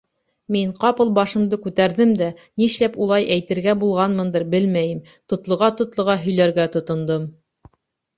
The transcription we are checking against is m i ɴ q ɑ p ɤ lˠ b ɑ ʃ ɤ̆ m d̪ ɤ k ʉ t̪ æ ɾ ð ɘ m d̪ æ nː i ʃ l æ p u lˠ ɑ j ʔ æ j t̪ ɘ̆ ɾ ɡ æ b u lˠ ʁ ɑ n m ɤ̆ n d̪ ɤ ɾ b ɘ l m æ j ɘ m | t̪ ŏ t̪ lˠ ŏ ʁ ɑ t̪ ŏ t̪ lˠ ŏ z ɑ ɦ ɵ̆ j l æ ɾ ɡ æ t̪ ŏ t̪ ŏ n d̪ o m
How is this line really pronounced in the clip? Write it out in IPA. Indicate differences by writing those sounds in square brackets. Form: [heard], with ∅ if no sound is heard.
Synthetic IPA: m i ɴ q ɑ p ɤ lˠ b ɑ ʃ ɤ̆ m d̪ ɤ k ʉ t̪ æ ɾ ð ɘ m d̪ æ [n] i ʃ l æ p u lˠ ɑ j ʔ æ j t̪ ɘ̆ ɾ ɡ æ b u lˠ ʁ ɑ n m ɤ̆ n d̪ ɤ ɾ b ɘ l m æ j ɘ m | t̪ ŏ t̪ lˠ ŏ ʁ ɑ t̪ ŏ t̪ lˠ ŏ [ʁ] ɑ ɦ ɵ̆ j l æ ɾ ɡ æ t̪ ŏ t̪ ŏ n d̪ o m